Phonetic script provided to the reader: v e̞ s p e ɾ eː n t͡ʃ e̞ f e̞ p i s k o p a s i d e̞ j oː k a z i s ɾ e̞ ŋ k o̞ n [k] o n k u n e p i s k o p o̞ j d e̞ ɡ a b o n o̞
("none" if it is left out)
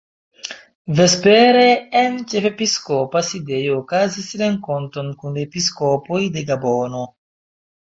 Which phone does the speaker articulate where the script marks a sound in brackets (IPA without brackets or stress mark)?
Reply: t